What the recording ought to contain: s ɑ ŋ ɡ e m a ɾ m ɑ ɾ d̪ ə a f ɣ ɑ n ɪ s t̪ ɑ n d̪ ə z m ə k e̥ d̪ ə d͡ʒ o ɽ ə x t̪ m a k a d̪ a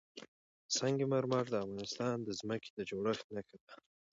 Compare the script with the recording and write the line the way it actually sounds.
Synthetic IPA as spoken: s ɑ ŋ ɡ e m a ɾ m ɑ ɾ d̪ ə a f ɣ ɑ n ɪ s t̪ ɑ n d̪ ə z m ə k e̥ d̪ ə d͡ʒ o ɽ ə x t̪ n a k a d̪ a